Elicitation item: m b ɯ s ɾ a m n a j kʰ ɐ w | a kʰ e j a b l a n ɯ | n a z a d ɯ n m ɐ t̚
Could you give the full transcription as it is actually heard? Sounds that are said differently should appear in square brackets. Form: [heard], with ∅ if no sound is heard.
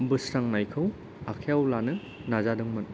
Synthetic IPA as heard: m b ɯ s ɾ a [ŋ] n a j kʰ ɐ w | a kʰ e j a [w] l a n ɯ | n a z a d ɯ [ŋ] m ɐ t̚